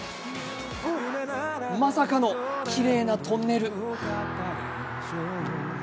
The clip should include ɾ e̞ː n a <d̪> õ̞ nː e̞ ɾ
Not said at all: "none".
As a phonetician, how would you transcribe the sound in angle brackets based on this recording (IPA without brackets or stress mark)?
t̪